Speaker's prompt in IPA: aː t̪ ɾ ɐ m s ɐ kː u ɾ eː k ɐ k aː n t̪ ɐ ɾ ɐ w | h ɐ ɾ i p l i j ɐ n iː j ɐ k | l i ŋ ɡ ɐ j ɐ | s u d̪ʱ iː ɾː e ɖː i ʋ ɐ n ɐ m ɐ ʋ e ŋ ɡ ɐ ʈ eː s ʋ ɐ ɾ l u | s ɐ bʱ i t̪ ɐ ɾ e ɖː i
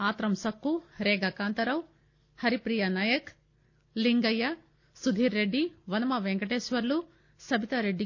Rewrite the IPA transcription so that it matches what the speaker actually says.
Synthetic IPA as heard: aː t̪ ɾ ɐ m s ɐ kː u ɾ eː ɡ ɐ k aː n t̪ ɐ ɾ ɐ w | h ɐ ɾ i p ɾ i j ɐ n aː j ɐ k | l i ŋ ɡ ɐ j ɐ | s u d̪ʱ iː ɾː e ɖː i ʋ ɐ n ɐ m ɐ ʋ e ŋ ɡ ɐ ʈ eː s ʋ ɐ ɾ l u | s ɐ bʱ i t̪ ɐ ɾ e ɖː i